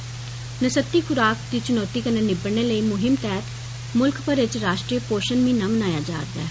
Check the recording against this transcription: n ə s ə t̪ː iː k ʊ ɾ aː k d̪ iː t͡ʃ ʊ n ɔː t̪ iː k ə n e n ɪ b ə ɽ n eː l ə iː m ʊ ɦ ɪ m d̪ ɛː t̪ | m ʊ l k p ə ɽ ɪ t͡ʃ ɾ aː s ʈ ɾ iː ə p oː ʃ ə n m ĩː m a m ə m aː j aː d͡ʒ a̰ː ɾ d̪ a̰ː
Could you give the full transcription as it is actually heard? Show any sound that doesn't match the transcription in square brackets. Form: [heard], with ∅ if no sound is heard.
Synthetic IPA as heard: n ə s ə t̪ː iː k ʊ ɾ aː k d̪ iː t͡ʃ ʊ n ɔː t̪ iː k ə n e n ɪ b ə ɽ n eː l ə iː m ʊ ɦ ɪ m [t̪] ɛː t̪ | m ʊ l k p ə [ɾ] ɪ t͡ʃ ɾ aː [ʃ] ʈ ɾ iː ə p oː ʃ ə n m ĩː [n] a m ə [n] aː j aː d͡ʒ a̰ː ɾ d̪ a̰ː